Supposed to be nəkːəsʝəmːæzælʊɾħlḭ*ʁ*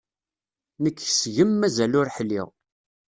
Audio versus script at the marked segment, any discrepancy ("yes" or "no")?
no